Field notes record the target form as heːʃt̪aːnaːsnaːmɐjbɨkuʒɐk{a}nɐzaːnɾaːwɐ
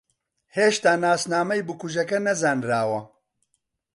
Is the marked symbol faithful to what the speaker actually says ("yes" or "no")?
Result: no